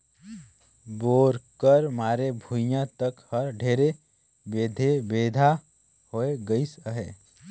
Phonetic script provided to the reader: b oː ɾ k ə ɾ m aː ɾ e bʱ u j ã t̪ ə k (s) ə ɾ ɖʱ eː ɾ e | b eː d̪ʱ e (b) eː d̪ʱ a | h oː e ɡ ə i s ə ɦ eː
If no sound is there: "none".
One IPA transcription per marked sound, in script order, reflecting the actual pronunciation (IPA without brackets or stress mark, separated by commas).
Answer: h, b